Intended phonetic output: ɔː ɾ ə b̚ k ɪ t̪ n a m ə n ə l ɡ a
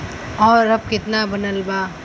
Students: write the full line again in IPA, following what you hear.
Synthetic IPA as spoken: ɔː ɾ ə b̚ k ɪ t̪ n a b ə n ə l b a